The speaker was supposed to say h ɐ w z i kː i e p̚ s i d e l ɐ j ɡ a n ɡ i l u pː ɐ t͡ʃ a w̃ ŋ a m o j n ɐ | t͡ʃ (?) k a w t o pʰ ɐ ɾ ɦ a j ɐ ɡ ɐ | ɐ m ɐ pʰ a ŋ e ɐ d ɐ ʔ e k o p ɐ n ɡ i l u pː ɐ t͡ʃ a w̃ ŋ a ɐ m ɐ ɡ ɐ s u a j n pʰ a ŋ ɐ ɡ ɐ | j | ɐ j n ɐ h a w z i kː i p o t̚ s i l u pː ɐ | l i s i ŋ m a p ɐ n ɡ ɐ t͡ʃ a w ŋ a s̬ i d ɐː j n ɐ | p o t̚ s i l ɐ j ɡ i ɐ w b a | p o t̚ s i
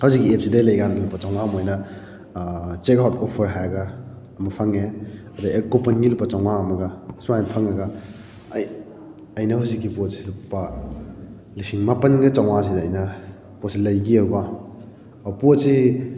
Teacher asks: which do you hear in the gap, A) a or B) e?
B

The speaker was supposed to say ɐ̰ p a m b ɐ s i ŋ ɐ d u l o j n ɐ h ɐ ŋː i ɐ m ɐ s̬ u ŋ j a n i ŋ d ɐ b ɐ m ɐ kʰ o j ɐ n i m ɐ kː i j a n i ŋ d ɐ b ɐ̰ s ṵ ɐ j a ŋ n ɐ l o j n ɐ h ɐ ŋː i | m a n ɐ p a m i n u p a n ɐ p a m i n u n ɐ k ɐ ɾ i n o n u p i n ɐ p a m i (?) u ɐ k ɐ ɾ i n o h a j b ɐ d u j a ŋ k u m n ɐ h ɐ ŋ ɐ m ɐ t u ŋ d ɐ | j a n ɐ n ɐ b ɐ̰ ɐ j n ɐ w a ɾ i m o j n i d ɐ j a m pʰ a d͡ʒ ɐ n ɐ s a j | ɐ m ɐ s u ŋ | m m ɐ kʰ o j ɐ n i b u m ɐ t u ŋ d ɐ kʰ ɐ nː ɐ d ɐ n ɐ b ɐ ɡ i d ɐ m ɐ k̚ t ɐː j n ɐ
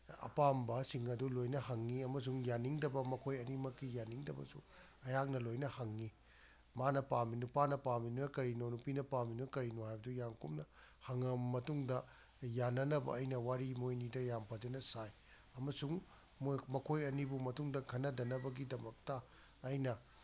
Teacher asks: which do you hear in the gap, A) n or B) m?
A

